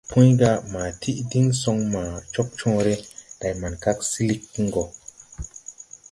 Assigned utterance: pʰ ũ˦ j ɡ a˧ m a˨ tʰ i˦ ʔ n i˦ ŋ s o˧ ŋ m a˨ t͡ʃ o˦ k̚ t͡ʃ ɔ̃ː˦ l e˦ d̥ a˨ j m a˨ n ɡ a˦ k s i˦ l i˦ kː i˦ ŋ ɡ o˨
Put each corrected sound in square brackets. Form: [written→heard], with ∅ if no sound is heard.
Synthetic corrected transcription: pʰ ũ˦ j ɡ a˧ m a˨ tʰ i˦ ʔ [n→d] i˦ ŋ s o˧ ŋ m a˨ t͡ʃ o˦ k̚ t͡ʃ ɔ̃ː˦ [l→ɾ] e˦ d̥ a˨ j m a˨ n [ɡ→k] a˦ k s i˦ l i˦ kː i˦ ŋ ɡ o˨

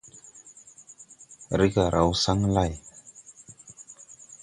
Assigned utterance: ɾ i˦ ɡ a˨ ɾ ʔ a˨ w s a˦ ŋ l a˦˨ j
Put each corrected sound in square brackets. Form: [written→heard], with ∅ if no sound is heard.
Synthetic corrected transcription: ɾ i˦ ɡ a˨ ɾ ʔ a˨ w s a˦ ŋ l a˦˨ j

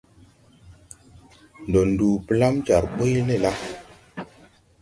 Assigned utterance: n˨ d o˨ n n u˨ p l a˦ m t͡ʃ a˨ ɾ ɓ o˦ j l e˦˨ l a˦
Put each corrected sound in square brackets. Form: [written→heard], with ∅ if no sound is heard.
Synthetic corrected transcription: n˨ d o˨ n [n→d] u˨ p l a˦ m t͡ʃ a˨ ɾ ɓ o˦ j l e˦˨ l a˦

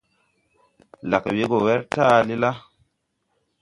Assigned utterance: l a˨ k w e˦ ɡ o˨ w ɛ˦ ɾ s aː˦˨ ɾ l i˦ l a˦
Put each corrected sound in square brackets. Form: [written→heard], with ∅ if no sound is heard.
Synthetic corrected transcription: l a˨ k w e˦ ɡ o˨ w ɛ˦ ɾ [s→t] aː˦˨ [ɾ→∅] l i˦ l a˦

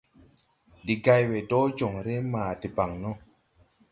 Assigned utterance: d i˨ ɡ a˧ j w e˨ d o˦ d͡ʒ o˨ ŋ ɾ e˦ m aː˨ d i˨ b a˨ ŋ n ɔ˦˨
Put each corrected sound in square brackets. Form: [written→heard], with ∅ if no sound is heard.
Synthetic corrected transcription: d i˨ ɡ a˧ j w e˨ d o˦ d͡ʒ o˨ ŋ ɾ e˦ m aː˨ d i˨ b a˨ ŋ n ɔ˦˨

